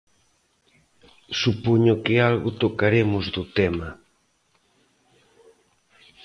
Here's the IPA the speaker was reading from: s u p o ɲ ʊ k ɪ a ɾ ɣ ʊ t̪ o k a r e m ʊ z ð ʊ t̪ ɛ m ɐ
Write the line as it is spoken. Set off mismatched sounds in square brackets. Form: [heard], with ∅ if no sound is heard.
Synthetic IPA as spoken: s u p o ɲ ʊ k ɪ a [l] ɣ ʊ t̪ o k a [ɾ] e m ʊ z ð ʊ t̪ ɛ m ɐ